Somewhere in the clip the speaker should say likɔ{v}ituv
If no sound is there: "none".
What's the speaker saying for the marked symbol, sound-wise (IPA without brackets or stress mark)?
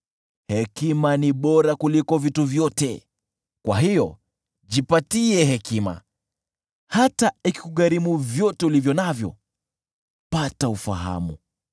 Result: v